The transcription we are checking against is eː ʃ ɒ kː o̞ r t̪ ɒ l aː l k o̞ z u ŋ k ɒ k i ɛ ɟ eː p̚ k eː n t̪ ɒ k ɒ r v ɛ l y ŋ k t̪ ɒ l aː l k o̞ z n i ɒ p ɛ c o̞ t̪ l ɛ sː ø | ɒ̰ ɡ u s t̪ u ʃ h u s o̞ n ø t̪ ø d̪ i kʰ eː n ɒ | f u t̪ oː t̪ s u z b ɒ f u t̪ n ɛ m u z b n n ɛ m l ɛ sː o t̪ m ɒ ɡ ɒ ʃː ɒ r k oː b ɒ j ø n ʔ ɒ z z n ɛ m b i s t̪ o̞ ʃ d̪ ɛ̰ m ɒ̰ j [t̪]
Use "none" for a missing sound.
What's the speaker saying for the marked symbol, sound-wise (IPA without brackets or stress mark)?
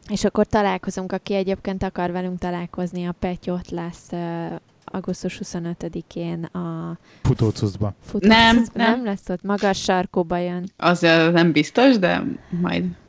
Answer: d̪